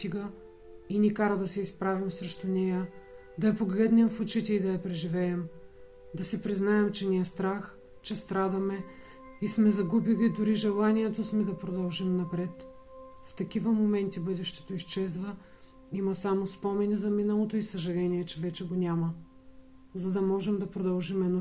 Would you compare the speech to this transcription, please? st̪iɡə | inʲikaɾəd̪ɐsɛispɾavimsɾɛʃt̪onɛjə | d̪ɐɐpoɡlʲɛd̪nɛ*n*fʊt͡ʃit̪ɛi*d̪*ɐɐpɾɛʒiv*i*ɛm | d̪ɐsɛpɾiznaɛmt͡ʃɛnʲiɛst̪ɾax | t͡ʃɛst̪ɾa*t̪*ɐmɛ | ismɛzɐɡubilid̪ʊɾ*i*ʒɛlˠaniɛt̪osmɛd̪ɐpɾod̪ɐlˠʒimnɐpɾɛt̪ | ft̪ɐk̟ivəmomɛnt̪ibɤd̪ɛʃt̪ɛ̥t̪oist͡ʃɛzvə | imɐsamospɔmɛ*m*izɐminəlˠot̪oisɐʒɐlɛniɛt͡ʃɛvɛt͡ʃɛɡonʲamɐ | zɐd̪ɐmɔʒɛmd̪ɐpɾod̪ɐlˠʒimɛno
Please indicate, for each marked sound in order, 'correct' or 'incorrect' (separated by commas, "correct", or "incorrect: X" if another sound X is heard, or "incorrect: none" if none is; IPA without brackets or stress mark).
incorrect: m, correct, incorrect: ɛ, incorrect: d̪, correct, incorrect: n